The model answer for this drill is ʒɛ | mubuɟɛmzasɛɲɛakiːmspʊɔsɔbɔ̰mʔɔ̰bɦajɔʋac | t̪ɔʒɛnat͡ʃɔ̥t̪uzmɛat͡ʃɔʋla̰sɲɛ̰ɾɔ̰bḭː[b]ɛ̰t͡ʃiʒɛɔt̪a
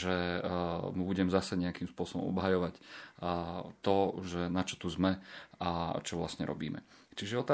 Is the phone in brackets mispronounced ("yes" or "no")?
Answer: yes